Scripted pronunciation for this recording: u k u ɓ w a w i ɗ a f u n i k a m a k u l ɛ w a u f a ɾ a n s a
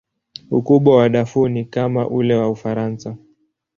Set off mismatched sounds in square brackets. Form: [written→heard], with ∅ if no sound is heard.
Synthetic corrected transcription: u k u ɓ w a w [i→a] ɗ a f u n i k a m a [k→ʔ] u l ɛ w a u f a ɾ a n s a